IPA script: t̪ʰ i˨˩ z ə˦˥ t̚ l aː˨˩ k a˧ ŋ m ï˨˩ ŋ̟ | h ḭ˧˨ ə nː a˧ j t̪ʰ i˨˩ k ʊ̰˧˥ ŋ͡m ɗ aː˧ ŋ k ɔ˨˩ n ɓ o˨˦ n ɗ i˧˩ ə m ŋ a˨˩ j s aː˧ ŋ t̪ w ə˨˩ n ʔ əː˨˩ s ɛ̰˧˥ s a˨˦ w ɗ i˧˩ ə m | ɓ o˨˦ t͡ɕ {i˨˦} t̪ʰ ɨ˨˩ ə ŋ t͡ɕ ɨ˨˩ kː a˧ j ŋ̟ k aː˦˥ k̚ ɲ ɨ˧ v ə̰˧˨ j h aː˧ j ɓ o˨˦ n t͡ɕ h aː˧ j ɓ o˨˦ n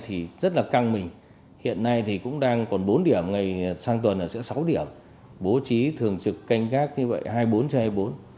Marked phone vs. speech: correct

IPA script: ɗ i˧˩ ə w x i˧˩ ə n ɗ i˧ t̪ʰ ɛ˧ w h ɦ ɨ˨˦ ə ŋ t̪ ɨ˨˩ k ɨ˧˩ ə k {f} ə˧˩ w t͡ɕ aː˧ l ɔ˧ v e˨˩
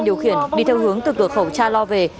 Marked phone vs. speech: incorrect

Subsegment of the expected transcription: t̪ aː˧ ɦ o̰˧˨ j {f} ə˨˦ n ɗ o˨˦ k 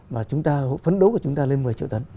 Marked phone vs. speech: correct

